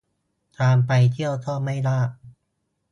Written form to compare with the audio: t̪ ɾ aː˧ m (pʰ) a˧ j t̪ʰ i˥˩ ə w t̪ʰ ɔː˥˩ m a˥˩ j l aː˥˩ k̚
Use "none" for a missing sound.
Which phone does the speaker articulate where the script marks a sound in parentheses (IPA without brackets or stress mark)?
p